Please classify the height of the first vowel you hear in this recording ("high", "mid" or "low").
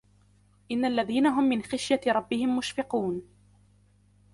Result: high